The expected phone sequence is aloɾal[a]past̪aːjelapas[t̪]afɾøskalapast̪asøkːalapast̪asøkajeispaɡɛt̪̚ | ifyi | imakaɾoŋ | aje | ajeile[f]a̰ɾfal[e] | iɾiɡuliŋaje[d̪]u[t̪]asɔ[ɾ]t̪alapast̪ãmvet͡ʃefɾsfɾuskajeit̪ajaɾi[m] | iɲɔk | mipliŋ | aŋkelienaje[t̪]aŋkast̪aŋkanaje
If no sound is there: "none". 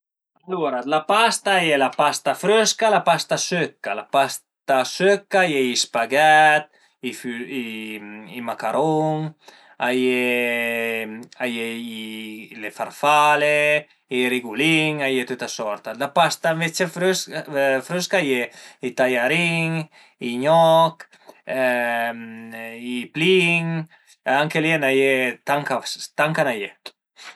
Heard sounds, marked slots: a, t̪, f, e, t̪, t̪, ɾ, ŋ, t̪

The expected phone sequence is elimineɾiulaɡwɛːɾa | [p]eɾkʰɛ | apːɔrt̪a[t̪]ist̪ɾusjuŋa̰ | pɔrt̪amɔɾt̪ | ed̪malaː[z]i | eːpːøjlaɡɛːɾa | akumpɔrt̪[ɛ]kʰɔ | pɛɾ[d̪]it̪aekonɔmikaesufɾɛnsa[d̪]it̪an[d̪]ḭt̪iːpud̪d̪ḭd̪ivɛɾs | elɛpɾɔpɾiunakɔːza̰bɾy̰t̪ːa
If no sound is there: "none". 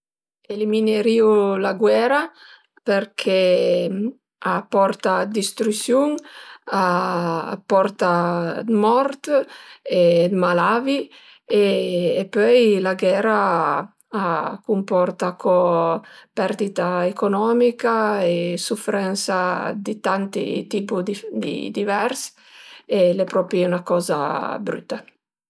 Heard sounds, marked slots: p, d̪, v, a, d̪, d̪, t̪

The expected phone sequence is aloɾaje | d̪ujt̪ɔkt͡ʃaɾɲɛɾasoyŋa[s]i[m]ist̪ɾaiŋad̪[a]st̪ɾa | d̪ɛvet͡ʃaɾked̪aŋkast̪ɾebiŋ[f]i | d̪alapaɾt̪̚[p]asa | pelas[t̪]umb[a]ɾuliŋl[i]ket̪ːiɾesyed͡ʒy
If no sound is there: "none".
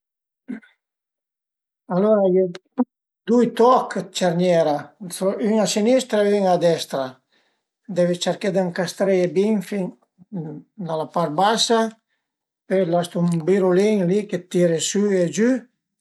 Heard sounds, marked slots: s, n, ɛ, f, b, t̪, i, i

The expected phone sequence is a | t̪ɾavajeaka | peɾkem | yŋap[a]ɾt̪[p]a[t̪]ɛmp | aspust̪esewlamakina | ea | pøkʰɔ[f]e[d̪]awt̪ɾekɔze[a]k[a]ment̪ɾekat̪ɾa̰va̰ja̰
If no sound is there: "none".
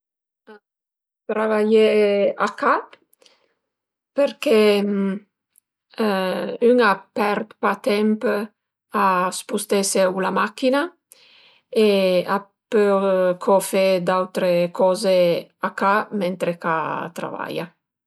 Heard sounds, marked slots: ɛ, p, t̪, f, d̪, a, a

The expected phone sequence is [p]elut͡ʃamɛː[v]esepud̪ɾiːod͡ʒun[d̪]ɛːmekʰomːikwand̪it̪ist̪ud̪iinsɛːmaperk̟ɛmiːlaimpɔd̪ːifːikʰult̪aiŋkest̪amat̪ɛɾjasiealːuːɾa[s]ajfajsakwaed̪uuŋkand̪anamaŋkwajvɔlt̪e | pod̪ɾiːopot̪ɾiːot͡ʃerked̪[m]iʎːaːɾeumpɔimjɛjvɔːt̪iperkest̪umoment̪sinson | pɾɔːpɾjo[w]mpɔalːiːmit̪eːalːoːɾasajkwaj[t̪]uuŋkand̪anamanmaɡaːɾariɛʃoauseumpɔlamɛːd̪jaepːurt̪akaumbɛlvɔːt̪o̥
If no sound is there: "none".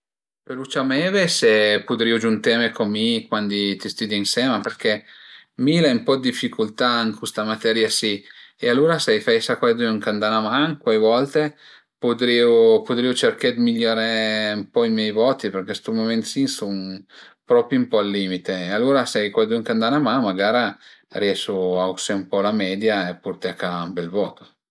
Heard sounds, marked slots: p, v, t̪, s, m, u, d̪

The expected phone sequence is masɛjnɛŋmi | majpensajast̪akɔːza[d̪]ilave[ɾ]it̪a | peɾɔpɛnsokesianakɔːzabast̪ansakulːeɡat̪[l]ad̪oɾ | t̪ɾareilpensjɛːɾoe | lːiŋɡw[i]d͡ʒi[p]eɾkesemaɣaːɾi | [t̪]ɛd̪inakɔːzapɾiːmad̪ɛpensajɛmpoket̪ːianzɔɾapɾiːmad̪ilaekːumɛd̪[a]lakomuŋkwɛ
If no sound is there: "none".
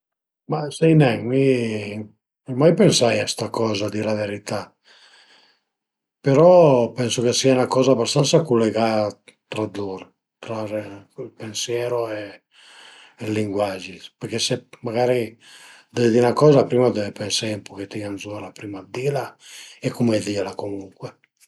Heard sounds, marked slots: d̪, ɾ, ɾ, a, p, d̪, i

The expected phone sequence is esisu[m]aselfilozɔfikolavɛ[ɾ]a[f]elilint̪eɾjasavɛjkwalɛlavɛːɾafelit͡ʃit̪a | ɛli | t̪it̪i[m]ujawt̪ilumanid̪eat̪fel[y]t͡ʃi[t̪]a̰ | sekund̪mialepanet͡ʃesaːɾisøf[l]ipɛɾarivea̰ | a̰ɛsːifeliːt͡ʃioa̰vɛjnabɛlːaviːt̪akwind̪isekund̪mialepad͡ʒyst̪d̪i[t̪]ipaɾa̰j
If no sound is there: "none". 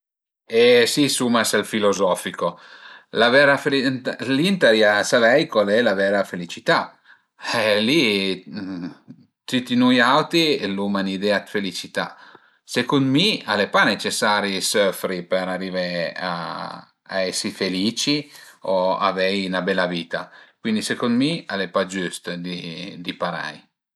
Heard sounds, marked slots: m, ɾ, f, n, i, t̪, ɾ, d̪

